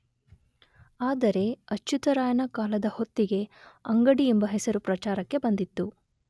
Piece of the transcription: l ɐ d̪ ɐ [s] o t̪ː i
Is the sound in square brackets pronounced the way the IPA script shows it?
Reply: no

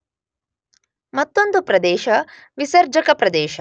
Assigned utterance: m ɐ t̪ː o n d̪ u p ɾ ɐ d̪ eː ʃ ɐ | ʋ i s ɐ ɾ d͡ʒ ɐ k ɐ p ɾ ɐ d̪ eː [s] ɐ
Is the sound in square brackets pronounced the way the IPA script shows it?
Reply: no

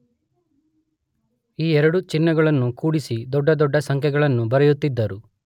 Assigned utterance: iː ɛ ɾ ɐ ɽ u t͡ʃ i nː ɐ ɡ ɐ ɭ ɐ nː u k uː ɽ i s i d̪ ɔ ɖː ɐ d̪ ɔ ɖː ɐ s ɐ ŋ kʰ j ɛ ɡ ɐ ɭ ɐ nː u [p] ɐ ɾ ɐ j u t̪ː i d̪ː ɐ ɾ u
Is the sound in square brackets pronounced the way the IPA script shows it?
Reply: no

